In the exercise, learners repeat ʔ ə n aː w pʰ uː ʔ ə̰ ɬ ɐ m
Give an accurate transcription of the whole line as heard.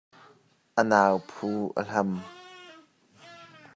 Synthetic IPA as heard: ʔ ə n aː w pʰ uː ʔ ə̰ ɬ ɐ m